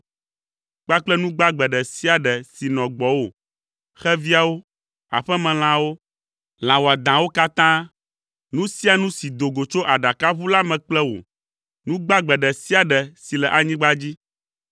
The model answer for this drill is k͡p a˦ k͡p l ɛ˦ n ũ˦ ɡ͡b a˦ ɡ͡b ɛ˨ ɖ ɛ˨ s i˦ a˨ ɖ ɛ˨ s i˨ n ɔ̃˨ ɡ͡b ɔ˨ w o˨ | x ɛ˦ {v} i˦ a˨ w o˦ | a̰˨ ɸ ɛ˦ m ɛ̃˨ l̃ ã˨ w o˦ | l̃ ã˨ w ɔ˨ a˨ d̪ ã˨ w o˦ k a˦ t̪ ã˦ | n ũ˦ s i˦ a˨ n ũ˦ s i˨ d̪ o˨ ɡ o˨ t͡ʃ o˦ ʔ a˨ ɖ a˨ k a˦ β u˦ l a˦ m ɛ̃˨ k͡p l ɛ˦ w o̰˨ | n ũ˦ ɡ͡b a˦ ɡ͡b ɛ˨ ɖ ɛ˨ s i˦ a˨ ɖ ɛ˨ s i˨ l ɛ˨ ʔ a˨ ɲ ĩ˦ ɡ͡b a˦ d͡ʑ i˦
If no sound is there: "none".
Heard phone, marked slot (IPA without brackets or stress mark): v